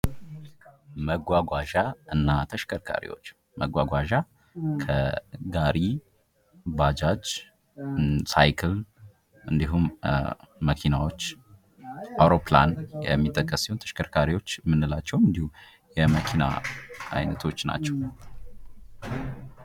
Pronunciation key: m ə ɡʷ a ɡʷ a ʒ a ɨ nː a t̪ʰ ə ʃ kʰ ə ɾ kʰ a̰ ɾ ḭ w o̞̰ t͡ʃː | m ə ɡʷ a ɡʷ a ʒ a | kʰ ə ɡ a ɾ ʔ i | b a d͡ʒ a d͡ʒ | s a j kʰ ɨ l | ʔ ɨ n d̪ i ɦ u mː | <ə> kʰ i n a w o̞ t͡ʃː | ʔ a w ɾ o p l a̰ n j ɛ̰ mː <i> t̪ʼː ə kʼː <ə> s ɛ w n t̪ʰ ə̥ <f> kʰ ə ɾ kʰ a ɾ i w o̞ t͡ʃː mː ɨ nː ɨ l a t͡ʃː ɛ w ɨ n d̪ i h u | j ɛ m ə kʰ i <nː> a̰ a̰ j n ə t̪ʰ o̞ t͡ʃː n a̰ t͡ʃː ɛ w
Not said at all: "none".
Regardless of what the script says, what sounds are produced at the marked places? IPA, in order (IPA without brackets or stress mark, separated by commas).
ə, i, ə, ʃ, n